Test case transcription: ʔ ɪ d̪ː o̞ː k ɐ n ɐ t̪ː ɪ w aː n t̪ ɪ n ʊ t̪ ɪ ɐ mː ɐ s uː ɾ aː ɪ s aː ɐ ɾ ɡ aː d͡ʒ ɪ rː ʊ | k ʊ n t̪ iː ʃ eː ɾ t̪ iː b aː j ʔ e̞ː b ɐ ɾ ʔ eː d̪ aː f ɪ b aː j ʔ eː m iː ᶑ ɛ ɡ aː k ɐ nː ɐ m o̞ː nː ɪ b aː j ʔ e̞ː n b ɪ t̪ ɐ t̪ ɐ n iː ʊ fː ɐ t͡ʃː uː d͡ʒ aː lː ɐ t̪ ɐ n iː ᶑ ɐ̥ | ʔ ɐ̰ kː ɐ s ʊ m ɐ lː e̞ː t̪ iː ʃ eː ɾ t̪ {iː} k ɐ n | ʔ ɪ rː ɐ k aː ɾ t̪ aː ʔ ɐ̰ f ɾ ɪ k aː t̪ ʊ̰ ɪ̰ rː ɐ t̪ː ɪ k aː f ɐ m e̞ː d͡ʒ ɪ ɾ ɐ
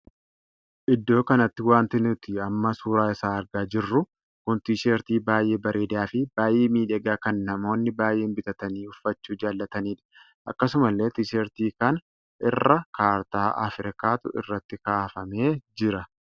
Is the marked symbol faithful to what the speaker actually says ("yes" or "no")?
yes